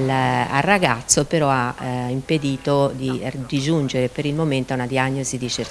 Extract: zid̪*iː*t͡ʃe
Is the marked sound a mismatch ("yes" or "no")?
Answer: yes